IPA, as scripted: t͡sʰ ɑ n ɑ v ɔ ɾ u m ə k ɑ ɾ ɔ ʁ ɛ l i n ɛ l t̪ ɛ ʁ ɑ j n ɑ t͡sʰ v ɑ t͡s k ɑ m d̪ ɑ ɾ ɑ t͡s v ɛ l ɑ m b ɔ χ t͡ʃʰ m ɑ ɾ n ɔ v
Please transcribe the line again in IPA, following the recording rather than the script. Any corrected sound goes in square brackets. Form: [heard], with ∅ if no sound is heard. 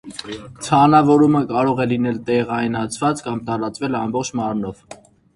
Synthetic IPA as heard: t͡sʰ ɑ n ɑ v ɔ ɾ u m ə k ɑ ɾ ɔ ʁ ɛ l i n ɛ l t̪ ɛ ʁ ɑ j n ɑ t͡sʰ v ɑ t͡s k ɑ m [t̪] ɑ ɾ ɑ t͡s v ɛ l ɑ m b ɔ χ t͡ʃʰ m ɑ ɾ n ɔ v